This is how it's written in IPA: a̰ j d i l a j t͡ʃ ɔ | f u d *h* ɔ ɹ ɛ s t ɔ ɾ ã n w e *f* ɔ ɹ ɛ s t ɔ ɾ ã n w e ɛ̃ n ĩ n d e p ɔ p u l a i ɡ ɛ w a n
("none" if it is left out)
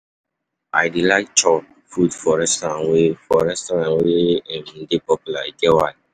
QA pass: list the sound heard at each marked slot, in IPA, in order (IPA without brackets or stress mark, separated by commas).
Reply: f, f